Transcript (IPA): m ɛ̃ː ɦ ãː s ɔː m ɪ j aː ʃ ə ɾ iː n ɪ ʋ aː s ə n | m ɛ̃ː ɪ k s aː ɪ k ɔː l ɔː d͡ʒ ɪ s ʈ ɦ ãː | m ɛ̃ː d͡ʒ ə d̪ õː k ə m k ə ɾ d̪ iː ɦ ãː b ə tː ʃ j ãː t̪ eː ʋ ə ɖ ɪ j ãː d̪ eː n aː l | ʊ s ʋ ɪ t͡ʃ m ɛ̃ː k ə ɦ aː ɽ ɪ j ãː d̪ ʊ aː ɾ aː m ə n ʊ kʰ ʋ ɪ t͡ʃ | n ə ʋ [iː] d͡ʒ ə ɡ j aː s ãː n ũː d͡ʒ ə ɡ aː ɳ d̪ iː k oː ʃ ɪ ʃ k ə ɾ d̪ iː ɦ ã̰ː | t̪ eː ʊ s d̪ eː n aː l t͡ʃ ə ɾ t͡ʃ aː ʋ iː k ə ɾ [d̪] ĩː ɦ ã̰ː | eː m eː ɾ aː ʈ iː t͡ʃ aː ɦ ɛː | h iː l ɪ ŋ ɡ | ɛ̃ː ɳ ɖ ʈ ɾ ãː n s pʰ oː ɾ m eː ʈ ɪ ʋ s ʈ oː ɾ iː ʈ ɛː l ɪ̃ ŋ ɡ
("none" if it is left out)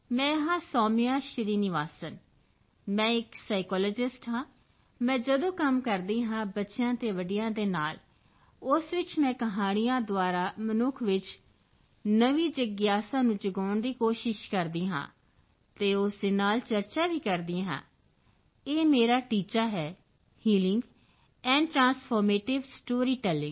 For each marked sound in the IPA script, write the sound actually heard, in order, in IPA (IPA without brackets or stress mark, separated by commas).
iː, d̪